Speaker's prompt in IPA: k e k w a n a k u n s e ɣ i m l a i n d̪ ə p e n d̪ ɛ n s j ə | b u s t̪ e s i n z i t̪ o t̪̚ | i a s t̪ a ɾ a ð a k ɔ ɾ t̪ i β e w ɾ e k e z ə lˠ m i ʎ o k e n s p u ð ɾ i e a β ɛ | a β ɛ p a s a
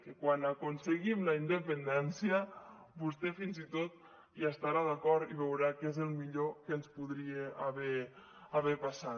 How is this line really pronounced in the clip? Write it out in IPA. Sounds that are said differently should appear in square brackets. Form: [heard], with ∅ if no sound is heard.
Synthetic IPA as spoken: k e k w a n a k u n s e ɣ i m l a i n d̪ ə p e n d̪ ɛ n s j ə | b u s t̪ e [f] i n z i t̪ o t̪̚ | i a s t̪ a ɾ a ð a k ɔ ɾ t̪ i β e w ɾ [a] k e z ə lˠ m i ʎ o k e n s p u ð ɾ i e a β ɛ | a β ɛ p a s a

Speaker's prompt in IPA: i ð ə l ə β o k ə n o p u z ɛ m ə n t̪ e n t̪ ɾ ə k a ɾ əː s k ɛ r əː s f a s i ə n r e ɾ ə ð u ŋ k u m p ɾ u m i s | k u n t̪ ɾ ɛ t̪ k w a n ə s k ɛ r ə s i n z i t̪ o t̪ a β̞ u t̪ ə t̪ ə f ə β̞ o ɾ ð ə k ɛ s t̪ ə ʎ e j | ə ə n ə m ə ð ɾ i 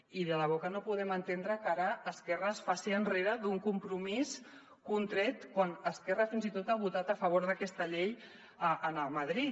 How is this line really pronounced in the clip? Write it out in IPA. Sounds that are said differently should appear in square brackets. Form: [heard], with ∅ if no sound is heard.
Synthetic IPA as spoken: i ð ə l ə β o k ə n o p u [ð] ɛ m ə n t̪ e n [d̪] ɾ ə k a ɾ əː s k ɛ r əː s f a s i ə n r e ɾ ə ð u ŋ k u m p ɾ u m i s | k u n t̪ ɾ ɛ t̪ k w a n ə s k ɛ r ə [f] i n z i t̪ o t̪ a β̞ u t̪ [a] t̪ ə f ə β̞ o ɾ ð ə k ɛ s t̪ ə ʎ e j | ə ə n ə m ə ð ɾ i

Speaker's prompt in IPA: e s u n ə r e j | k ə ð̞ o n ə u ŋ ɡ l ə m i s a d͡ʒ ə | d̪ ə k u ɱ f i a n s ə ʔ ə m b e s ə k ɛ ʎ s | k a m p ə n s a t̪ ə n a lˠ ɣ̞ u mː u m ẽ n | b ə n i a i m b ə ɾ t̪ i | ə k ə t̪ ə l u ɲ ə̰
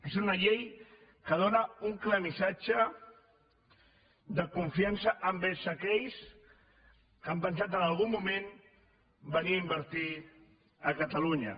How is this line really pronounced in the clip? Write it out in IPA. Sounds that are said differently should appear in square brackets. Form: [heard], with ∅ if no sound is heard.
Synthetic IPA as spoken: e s u n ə [ʎ] e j | k ə ð̞ o n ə u ŋ [k] l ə m i s a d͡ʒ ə | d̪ ə k u ɱ f i a n s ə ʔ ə m b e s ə k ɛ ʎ s | k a m p ə n s a t̪ ə n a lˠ ɣ̞ u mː u m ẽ n | b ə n i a i m b ə ɾ t̪ i | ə k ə t̪ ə l u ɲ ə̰

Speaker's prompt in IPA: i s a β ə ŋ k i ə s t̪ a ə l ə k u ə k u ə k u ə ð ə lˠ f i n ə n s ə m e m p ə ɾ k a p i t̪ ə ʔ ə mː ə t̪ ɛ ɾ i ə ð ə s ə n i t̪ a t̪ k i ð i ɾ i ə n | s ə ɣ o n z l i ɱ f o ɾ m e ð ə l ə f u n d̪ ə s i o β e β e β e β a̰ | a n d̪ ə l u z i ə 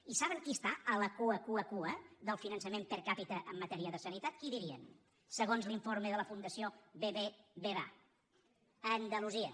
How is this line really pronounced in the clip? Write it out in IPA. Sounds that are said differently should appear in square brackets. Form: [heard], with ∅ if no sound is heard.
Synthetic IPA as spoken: i s a β ə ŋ k i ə s t̪ a ə l ə k u ə k u ə k u ə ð ə lˠ f i n ə n s ə m e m p ə ɾ k a p i t̪ ə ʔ ə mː ə t̪ ɛ ɾ i ə ð ə s ə n i t̪ a t̪ k i ð i ɾ i ə n | s ə ɣ o n z l i ɱ f o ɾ m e ð ə l ə f u n d̪ ə s i o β e β e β e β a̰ | [ə] n d̪ ə l u z i ə

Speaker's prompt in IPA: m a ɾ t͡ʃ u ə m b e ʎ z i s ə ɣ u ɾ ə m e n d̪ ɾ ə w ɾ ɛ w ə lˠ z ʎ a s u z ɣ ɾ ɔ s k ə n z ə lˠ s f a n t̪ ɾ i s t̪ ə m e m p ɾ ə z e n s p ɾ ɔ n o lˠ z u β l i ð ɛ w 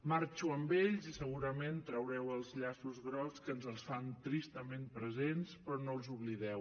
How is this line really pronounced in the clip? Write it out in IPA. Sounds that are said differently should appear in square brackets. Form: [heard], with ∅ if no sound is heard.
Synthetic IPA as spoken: m a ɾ t͡ʃ u ə m b e ʎ z i s ə ɣ u ɾ ə m e n [t̪] ɾ ə w ɾ ɛ w ə lˠ z ʎ a s u z ɣ ɾ ɔ s k ə n z ə lˠ s f a n t̪ ɾ i s t̪ ə m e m p ɾ ə z e n s p ɾ ɔ n o lˠ z u β l i ð ɛ w

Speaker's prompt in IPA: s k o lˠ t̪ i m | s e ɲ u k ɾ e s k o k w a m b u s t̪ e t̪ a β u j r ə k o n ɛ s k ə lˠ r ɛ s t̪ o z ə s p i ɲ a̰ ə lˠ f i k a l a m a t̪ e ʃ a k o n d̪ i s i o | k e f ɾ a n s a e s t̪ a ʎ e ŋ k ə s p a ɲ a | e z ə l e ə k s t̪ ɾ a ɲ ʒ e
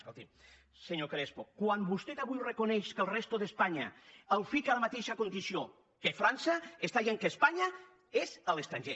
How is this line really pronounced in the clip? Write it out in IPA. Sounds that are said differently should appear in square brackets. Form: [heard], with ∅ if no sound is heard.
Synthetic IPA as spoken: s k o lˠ t̪ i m | s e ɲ [o] k ɾ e s [p] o k w a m b u s t̪ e t̪ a β u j r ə k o n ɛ [ʃ] k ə lˠ r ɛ s t̪ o [ð] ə s p [a] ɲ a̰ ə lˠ f i k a l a m a t̪ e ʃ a k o n d̪ i s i o | k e f ɾ a n s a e s t̪ a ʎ e ŋ k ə s p a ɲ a | e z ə l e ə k s t̪ ɾ a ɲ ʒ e

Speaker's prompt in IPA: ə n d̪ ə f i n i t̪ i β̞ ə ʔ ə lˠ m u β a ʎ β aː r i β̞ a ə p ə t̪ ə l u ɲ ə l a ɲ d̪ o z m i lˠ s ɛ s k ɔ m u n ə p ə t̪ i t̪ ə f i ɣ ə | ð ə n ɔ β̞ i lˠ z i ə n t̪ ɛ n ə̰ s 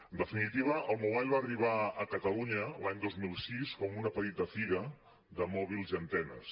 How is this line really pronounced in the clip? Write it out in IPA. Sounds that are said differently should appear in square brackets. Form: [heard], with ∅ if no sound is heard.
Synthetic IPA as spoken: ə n d̪ ə f i n i t̪ i β̞ ə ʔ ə lˠ m u β a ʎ β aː r i β̞ a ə [k] ə t̪ ə l u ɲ ə l a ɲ d̪ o z m i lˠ s [i] s k ɔ m u n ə p ə t̪ i t̪ ə f i ɣ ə | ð ə [m] ɔ β̞ i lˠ z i ə n t̪ ɛ n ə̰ s

